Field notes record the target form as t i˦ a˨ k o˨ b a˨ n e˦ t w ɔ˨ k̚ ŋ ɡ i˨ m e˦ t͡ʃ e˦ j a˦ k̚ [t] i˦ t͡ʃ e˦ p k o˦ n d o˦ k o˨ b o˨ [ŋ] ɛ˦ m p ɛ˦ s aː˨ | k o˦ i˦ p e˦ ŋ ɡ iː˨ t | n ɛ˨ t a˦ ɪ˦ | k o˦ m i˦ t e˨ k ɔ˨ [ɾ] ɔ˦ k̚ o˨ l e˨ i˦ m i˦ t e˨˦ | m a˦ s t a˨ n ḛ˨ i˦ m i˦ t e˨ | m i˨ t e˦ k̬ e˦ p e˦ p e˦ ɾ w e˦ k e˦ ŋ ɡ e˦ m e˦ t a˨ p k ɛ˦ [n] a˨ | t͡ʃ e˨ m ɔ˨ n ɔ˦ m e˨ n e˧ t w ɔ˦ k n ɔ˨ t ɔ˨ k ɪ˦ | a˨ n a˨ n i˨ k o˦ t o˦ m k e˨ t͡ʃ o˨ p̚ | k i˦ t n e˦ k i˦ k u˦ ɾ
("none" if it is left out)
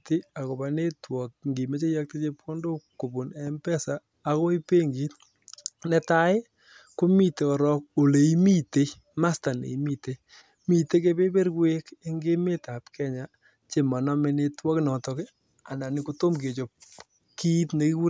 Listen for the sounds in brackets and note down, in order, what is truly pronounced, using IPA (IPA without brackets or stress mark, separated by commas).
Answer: t, n, ɾ, ɲ